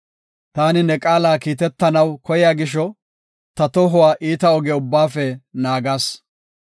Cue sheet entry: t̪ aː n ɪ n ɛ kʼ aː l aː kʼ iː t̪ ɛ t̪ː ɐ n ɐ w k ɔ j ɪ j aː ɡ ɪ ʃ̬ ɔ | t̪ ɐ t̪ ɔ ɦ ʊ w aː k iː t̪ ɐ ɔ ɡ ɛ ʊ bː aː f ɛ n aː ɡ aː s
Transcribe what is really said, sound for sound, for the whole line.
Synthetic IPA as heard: t̪ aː n ɪ n ɛ kʼ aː l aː k iː t̪ ɛ t̪ː ɐ n ɐ w k ɔ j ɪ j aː ɡ ɪ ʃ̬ ɔ | t̪ ɐ t̪ ɔ ɦ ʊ w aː ʔ iː t̪ ɐ ɔ ɡ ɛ ʊ bː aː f ɛ n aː ɡ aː s